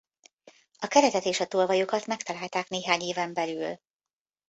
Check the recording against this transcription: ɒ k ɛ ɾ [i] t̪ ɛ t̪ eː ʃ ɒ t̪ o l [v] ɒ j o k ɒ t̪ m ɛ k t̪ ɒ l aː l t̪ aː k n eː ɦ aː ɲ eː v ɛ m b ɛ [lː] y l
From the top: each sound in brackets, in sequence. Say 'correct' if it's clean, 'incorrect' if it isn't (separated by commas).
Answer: incorrect, correct, incorrect